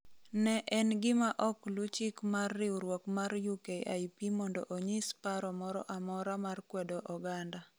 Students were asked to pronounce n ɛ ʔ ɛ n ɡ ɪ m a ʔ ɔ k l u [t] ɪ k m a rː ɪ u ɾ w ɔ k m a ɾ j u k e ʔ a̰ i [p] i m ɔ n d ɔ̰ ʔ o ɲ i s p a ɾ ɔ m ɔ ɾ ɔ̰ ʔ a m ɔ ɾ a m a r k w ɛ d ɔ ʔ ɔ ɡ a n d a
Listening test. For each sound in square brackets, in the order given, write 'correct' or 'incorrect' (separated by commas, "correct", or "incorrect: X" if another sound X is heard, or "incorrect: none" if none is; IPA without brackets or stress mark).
incorrect: t͡ʃ, correct